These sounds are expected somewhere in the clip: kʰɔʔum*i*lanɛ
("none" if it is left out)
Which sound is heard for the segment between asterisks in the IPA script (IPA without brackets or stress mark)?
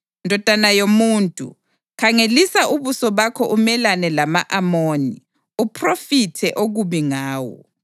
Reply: ɛ